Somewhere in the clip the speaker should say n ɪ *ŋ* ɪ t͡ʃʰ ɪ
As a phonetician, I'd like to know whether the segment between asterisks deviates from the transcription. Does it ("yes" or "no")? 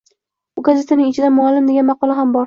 no